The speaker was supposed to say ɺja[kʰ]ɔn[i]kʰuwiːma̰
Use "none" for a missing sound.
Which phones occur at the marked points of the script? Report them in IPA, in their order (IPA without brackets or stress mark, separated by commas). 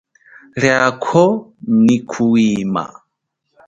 kʰ, i